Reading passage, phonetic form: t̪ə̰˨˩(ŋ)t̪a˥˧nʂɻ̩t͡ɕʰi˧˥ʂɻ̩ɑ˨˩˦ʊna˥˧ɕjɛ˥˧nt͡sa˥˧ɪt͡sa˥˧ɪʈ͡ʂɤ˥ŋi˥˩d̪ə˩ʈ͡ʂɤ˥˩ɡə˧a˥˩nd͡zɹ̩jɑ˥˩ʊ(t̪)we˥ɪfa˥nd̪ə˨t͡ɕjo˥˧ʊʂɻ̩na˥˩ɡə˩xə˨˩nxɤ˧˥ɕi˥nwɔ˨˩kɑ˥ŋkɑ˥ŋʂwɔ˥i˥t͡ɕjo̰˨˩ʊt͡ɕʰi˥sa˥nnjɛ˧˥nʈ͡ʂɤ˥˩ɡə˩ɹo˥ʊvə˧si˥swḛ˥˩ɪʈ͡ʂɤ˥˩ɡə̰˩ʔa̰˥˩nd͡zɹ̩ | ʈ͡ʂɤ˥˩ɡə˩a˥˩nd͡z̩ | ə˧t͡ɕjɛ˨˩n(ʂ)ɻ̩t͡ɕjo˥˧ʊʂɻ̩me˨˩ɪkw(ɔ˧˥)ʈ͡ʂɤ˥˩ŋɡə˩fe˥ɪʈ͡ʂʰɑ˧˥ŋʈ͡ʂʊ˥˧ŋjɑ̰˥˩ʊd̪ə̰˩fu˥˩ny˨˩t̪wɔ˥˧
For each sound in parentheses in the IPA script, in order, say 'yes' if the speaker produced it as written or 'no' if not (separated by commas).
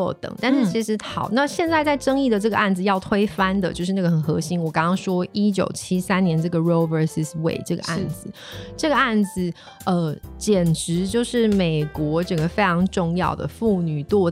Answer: yes, no, no, yes